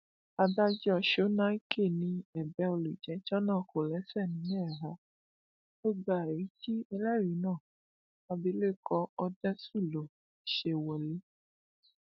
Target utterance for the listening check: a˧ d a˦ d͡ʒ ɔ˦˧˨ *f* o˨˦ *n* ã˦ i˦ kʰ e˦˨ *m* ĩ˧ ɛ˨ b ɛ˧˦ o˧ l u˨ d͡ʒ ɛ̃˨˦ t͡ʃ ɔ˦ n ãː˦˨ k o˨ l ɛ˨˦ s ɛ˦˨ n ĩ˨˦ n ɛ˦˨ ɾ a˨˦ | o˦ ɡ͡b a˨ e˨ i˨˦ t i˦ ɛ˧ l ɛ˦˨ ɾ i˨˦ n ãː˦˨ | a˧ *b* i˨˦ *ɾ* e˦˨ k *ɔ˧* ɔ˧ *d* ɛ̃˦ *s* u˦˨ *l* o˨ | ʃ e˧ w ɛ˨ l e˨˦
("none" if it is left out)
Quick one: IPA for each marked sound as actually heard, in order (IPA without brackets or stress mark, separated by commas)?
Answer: ʃ, n, n, b, l, ɔ˧, d, s, l